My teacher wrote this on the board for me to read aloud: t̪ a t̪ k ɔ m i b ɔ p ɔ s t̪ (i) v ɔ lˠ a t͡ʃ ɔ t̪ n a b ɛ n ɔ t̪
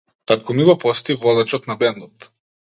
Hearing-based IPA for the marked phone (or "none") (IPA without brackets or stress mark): i